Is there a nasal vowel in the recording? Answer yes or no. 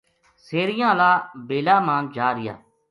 yes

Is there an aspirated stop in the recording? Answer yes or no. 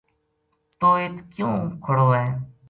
yes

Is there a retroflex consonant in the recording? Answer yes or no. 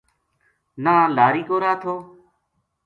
no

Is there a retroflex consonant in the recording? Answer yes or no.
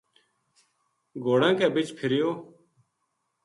yes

